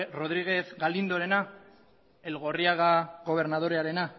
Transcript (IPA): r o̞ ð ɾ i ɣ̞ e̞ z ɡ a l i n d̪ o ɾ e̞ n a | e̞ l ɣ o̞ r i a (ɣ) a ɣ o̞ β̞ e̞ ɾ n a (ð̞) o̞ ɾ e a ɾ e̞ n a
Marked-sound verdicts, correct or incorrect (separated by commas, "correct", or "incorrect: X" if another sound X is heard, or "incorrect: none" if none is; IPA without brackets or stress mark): correct, correct